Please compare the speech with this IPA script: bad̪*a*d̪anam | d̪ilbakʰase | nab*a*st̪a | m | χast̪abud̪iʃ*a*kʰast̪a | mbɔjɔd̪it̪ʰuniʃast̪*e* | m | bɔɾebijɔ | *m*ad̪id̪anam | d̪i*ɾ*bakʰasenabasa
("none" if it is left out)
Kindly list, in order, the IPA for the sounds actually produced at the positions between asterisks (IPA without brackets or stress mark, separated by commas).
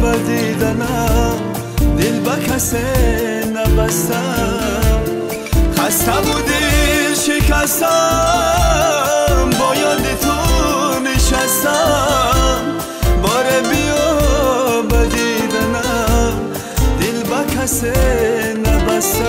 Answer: i, a, i, a, b, l